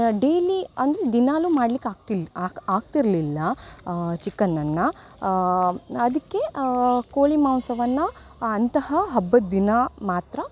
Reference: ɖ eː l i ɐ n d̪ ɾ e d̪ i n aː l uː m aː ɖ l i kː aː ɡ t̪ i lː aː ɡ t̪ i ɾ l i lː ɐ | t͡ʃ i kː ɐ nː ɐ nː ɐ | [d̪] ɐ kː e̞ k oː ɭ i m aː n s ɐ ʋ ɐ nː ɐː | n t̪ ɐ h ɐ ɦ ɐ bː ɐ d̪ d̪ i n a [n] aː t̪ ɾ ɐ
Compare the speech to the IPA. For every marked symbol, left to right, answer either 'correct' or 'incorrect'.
correct, incorrect: m

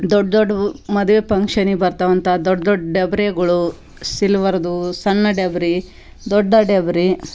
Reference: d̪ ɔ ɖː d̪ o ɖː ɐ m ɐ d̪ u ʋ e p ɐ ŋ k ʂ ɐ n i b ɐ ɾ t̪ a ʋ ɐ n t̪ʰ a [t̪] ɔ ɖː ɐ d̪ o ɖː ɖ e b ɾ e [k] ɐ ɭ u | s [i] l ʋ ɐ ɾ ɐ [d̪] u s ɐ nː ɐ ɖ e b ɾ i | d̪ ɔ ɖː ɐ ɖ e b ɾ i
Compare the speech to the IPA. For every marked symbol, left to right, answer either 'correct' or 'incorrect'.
incorrect: d̪, incorrect: ɡ, correct, correct

